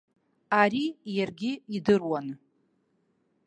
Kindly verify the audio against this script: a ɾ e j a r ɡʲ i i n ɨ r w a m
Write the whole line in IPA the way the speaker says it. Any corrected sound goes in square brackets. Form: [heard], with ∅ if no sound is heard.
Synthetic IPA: a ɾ [i] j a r ɡʲ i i [d] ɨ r w a [n]

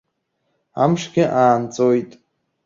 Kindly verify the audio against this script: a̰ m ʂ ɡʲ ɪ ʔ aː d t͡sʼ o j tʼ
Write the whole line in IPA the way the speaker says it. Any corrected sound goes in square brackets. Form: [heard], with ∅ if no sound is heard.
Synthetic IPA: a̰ m ʂ ɡʲ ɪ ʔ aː [n] t͡sʼ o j tʼ

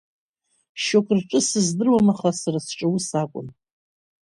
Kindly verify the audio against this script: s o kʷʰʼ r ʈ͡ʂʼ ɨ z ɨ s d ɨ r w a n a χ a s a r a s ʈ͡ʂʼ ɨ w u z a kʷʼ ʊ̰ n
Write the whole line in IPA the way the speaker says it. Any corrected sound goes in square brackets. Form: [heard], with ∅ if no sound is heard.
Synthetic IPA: [ʃ] o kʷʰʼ r ʈ͡ʂʼ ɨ [s] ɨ [z] d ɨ r w a [m] a χ a s a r a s ʈ͡ʂʼ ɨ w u [s] a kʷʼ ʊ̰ n

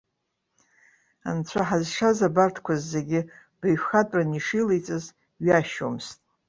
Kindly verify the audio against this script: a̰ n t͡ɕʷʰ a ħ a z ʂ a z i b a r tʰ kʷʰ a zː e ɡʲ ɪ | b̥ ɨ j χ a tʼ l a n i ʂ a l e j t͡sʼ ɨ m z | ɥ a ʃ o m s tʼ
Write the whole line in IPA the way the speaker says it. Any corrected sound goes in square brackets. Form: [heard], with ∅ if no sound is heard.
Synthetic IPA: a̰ n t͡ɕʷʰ a ħ a z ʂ a z [a] b a r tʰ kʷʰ a zː e ɡʲ ɪ | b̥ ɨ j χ a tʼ [r] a n i ʂ [i] l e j t͡sʼ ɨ [∅] z | ɥ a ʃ o m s tʼ

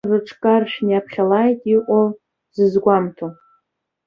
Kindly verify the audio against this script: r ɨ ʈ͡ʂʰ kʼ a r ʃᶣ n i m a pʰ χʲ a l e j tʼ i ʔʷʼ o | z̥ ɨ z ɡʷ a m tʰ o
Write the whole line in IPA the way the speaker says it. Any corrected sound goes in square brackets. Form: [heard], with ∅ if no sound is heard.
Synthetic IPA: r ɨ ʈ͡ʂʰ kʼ a r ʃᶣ n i [∅] a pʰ χʲ a l [a] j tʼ i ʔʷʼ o | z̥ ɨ z ɡʷ a m tʰ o

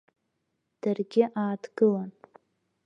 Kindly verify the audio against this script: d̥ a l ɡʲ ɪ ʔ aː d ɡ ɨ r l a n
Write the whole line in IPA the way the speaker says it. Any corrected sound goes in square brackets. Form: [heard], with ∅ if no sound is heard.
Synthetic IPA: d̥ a [r] ɡʲ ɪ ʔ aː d ɡ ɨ [∅] l a n

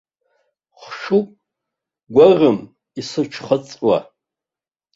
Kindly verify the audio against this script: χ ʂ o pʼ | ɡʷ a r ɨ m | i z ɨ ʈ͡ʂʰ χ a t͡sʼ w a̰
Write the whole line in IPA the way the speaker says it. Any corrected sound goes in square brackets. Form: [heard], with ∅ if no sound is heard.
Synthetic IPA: χ ʂ [u] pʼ | ɡʷ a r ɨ m | i [s] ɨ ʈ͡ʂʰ χ [ə] t͡sʼ w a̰

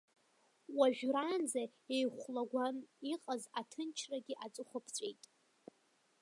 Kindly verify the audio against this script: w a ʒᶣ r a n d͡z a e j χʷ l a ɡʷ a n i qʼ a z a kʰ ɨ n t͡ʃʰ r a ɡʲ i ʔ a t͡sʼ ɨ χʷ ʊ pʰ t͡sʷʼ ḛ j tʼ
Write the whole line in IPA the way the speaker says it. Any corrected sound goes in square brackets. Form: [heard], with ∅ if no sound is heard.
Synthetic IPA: w a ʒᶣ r a n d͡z a e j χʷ l a ɡʷ a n i qʼ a z a [tʰ] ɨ n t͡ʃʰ r a ɡʲ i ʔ a t͡sʼ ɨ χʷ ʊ pʰ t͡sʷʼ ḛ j tʼ

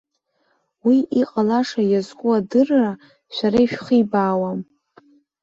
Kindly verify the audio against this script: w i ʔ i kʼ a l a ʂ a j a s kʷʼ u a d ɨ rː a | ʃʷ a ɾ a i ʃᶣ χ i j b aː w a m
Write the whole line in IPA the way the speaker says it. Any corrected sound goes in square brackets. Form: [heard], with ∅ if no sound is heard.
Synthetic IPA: w i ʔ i [qʼ] a l a ʂ a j a [z] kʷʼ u a d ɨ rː a | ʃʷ a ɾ a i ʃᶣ χ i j b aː w a m

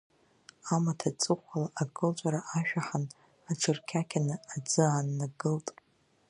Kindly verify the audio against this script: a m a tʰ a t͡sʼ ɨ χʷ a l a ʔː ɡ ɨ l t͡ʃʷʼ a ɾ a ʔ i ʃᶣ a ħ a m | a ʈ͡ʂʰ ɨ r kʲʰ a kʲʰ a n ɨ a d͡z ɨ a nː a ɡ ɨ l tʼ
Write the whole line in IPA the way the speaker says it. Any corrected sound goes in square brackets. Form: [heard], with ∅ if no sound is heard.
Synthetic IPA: a m a tʰ a t͡sʼ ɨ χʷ a l a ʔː ɡ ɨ l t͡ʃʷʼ a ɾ a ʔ [a] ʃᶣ a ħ a [n] | a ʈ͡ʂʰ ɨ r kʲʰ a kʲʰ a n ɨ a d͡z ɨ a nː a ɡ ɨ l tʼ

